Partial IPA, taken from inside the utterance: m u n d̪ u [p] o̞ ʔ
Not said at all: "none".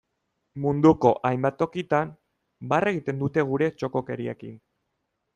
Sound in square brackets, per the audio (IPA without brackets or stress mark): k